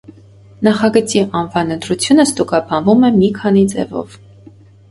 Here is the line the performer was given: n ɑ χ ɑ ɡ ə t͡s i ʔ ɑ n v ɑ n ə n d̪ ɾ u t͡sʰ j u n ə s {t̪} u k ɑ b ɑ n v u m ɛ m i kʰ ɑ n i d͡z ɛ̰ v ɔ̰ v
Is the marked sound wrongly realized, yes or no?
no